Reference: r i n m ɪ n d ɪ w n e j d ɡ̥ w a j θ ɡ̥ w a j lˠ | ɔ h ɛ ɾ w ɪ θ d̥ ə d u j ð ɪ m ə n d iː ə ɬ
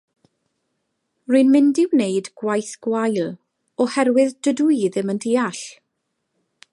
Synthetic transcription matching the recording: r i n m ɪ n d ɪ w n e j d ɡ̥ w a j θ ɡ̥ w a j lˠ | ɔ h ɛ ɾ w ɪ ð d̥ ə d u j ð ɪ m ə n d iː a ɬ